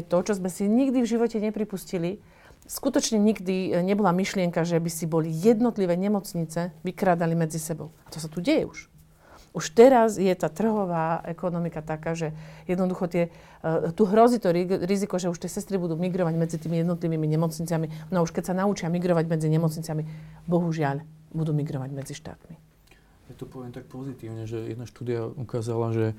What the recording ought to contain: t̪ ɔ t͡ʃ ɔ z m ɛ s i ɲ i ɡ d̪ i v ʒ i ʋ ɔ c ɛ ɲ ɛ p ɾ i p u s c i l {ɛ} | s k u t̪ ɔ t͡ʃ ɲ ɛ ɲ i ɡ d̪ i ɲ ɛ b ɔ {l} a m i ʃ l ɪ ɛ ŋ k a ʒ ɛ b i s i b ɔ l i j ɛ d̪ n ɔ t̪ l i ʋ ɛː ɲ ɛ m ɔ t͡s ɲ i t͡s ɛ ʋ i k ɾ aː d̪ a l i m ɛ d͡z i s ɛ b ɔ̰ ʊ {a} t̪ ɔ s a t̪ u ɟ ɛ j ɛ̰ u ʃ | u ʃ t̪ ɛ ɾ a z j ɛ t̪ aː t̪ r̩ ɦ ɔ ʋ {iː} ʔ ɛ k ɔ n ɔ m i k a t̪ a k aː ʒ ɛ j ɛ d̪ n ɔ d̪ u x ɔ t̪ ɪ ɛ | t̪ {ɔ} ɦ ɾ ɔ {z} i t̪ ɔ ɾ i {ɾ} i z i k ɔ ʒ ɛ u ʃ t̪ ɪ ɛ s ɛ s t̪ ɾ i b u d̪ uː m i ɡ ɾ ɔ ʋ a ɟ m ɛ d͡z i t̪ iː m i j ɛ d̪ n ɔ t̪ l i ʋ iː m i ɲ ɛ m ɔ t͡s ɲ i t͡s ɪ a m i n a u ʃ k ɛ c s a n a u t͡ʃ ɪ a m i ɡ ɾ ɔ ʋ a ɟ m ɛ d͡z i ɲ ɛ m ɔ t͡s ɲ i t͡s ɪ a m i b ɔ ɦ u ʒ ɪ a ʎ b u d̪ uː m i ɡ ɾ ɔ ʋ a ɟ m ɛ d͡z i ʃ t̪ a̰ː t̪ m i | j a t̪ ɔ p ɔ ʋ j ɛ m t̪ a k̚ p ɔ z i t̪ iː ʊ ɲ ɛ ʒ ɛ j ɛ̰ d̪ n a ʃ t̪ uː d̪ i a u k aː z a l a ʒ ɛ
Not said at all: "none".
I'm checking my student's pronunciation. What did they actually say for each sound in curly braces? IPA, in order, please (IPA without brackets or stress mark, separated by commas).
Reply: i, l, a, aː, u, z, ɾ